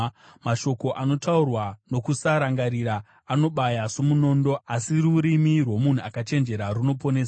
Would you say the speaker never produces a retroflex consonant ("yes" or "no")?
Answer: yes